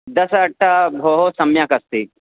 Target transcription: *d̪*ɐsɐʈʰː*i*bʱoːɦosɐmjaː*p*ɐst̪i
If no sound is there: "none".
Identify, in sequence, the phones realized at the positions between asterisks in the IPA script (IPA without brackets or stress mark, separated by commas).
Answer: d̪, a, k